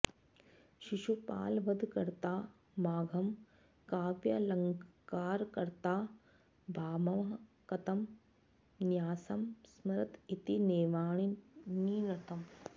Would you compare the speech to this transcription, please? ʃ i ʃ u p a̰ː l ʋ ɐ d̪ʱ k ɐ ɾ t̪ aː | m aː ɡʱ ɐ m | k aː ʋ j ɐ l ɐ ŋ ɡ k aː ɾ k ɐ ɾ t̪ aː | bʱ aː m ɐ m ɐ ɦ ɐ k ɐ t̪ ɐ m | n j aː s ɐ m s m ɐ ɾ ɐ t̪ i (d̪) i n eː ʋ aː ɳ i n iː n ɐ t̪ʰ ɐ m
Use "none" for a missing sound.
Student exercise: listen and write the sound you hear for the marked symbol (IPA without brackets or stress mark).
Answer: t̪